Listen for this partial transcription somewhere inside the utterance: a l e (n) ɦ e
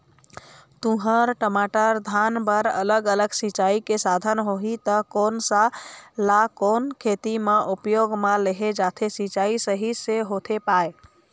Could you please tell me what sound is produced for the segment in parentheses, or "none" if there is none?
none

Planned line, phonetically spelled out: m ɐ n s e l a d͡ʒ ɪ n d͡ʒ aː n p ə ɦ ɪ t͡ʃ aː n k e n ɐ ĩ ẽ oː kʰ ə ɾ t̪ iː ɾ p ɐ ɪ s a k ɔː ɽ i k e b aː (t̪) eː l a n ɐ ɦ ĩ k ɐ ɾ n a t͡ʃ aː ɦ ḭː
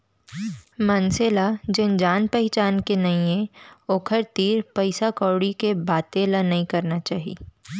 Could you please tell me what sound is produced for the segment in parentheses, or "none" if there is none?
t̪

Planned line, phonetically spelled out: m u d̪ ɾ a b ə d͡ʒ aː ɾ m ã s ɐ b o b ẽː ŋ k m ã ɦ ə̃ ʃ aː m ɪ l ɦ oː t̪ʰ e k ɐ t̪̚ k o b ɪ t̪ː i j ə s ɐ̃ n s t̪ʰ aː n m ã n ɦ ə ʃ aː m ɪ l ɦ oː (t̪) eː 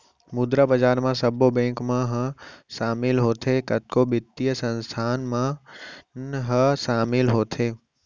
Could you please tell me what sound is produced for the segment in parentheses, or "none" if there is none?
t̪ʰ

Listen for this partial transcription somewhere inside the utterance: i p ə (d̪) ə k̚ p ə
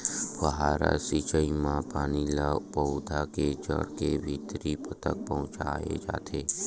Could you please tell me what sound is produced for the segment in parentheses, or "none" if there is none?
t̪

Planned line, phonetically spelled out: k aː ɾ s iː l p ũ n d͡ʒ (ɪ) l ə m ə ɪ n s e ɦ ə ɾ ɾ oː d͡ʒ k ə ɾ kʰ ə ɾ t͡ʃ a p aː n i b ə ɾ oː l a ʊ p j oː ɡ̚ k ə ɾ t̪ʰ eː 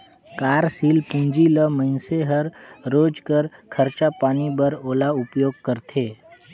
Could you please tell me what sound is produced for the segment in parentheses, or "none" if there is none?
i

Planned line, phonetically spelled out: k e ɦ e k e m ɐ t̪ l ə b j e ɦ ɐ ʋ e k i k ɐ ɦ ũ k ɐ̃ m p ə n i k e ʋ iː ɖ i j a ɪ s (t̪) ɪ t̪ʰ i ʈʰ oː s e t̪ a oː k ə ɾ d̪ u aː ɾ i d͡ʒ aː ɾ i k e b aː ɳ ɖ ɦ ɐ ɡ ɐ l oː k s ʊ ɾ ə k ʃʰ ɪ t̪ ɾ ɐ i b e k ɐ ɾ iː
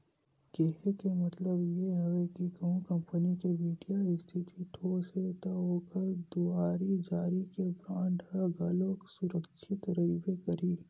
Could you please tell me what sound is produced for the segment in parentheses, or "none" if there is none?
t̪ʰ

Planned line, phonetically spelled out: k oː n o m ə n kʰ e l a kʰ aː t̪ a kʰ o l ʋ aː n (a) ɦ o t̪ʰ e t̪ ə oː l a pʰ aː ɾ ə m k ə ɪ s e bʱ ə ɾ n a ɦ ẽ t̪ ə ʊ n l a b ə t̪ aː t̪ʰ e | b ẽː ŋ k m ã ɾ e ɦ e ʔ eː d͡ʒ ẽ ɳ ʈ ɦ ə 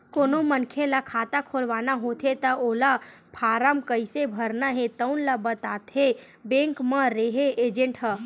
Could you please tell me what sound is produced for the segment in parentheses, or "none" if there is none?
a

